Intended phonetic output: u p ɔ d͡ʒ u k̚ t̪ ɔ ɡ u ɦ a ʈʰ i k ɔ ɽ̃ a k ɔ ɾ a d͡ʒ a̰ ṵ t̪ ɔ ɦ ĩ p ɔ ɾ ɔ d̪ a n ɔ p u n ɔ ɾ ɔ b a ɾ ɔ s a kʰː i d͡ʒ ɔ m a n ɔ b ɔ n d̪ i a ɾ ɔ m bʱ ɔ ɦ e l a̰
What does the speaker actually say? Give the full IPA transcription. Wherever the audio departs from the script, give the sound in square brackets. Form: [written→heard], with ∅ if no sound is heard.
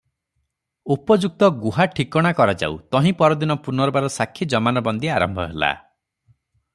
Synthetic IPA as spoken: u p ɔ d͡ʒ u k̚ t̪ ɔ ɡ u ɦ a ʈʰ i k ɔ ɽ̃ a k ɔ ɾ a d͡ʒ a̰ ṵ t̪ ɔ ɦ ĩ p ɔ ɾ ɔ d̪ [a→i] n ɔ p u n ɔ ɾ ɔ b a ɾ ɔ s a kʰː i d͡ʒ ɔ m a n ɔ b ɔ n d̪ i a ɾ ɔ m bʱ ɔ ɦ e l a̰

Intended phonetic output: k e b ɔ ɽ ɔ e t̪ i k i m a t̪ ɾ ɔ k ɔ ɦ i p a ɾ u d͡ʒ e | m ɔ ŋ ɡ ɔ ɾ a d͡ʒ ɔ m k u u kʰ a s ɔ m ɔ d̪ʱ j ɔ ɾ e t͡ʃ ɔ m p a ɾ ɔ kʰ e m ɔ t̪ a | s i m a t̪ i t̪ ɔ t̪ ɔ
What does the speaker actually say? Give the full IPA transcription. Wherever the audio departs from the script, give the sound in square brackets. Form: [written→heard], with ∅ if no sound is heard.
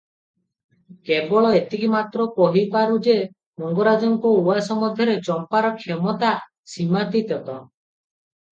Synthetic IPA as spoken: k e b ɔ [ɽ→ɭ] ɔ e t̪ i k i m a t̪ ɾ ɔ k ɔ ɦ i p a ɾ u d͡ʒ e | m ɔ ŋ ɡ ɔ ɾ a d͡ʒ ɔ [m→ŋ] k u u [kʰ→∅] a s ɔ m ɔ d̪ʱ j ɔ ɾ e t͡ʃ ɔ m p a ɾ ɔ kʰ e m ɔ t̪ a | s i m a t̪ i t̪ ɔ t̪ ɔ

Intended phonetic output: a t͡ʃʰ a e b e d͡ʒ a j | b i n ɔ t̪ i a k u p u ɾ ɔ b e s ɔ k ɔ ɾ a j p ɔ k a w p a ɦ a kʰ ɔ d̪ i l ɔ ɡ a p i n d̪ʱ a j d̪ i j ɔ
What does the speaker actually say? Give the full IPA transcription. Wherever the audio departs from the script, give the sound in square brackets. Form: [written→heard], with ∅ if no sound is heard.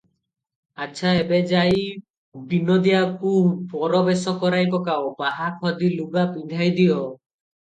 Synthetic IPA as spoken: a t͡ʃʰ a e b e d͡ʒ a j | b i n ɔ [t̪→d̪] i a k u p [u→ɔ] ɾ ɔ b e s ɔ k ɔ ɾ a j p ɔ k a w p a ɦ a kʰ ɔ d̪ i l [ɔ→u] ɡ a p i n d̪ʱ a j d̪ i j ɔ

